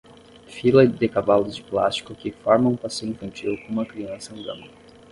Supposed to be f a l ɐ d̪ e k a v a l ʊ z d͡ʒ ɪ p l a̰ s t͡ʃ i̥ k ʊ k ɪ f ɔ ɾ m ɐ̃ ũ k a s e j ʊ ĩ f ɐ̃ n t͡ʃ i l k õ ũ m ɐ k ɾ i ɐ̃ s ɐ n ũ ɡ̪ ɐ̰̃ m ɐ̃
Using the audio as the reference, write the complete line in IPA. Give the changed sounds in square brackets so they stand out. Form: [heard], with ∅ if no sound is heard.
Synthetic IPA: f [i] l ɐ d̪ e k a v a l ʊ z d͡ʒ ɪ p l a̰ s t͡ʃ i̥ k ʊ k ɪ f ɔ ɾ m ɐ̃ ũ [p] a s e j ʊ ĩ f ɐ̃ n t͡ʃ i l k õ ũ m ɐ k ɾ i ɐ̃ s ɐ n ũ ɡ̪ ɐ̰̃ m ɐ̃